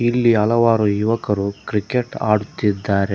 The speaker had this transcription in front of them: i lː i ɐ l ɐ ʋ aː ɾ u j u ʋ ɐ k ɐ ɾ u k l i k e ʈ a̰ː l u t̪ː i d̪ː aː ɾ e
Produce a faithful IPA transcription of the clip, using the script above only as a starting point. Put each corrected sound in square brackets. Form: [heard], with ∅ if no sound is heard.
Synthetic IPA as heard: i lː i ɐ l ɐ ʋ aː ɾ u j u ʋ ɐ k ɐ ɾ u k [ɾ] i k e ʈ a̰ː [ɽ] u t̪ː i d̪ː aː ɾ e